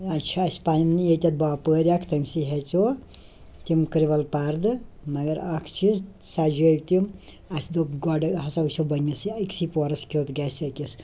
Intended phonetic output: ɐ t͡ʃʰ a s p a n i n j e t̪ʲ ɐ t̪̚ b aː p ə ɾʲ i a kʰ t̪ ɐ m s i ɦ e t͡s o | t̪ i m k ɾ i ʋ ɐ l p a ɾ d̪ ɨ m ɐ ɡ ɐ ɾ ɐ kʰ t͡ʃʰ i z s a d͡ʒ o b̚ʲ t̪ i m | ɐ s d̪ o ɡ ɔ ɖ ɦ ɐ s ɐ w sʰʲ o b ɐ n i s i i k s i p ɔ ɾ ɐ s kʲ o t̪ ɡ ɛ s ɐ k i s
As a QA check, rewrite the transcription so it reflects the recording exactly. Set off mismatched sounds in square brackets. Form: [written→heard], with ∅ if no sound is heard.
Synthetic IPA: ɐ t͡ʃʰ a s p a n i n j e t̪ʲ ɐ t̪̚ b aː p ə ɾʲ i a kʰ t̪ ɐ m s i ɦ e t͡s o | t̪ i m k ɾ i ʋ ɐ l p a ɾ d̪ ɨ m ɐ ɡ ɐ ɾ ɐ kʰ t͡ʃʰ i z s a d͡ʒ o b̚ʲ t̪ i m | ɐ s d̪ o ɡ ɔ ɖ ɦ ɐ s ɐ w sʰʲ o b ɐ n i s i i k s i p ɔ ɾ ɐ s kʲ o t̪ ɡ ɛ s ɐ k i s